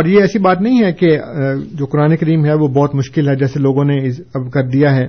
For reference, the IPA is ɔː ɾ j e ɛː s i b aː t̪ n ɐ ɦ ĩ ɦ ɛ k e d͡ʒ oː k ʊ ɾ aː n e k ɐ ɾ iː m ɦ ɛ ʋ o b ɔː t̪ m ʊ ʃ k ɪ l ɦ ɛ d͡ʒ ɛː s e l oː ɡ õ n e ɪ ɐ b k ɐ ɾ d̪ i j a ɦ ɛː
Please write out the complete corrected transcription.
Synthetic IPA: ɔː ɾ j e ɛː s i b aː t̪ n ɐ ɦ ĩ ɦ ɛ k e d͡ʒ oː k ʊ ɾ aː n e k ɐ ɾ iː m ɦ ɛ ʋ o b ɔː t̪ m ʊ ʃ k ɪ l ɦ ɛ d͡ʒ ɛː s e l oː ɡ õ n e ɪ ɐ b k ɐ ɾ d̪ i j a ɦ ɛː